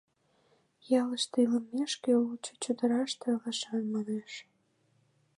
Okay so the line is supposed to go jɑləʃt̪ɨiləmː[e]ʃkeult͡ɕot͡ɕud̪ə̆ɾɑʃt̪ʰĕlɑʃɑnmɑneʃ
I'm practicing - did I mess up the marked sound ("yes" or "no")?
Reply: no